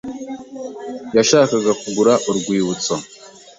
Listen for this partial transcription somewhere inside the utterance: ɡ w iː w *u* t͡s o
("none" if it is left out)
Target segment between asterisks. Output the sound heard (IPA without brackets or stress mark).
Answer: u